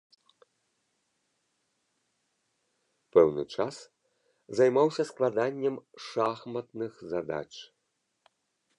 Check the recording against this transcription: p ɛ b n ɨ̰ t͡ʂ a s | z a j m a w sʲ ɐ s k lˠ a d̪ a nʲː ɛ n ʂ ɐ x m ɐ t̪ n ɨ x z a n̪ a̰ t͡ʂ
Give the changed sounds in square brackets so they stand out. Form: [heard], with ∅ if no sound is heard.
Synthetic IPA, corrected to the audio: p ɛ [w] n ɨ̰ t͡ʂ a s | z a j m a w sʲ ɐ s k lˠ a d̪ a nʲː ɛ [m] ʂ [a] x m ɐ t̪ n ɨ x z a [d̪] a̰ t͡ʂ